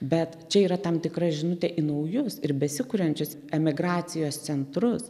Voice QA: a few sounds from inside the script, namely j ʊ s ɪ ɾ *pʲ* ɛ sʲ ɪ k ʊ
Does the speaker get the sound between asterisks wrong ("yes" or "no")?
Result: yes